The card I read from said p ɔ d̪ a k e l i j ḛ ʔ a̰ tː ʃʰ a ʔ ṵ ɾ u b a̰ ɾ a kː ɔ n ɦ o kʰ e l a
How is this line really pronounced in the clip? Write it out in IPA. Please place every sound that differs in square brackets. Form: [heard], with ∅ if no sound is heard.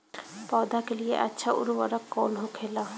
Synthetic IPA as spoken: p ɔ d̪ a k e l i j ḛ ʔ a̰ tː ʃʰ a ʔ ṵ ɾ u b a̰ ɾ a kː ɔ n ɦ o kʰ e l a